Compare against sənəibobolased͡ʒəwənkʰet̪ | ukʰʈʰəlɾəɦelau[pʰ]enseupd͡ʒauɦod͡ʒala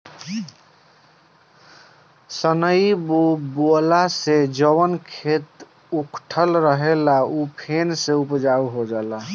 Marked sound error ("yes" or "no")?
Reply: no